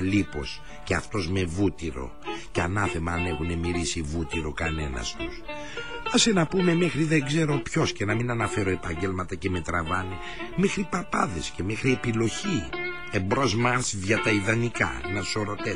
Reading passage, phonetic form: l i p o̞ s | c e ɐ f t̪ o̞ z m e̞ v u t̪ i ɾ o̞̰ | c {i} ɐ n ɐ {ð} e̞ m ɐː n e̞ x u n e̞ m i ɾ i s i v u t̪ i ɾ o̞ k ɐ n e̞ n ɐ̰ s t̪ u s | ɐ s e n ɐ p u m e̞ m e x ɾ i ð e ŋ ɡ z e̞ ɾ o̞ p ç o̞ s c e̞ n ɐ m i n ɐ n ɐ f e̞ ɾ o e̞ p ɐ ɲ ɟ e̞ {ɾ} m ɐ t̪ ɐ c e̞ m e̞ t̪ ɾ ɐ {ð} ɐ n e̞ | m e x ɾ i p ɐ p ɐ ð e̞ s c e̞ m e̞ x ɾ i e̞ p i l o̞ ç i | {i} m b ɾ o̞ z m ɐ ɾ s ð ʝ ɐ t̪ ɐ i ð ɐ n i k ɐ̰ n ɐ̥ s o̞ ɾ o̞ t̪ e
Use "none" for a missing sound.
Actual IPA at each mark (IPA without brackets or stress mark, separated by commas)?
e, θ, l, v, e